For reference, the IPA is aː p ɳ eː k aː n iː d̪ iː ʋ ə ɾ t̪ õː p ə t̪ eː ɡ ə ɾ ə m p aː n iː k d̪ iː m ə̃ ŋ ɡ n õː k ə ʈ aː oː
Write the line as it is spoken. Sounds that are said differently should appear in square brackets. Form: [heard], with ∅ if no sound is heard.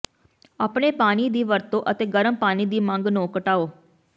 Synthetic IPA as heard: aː p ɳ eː [p] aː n iː d̪ iː ʋ ə ɾ t̪ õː [ʔ] ə t̪ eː ɡ ə ɾ ə m p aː n iː [∅] d̪ iː m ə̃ ŋ ɡ n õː k ə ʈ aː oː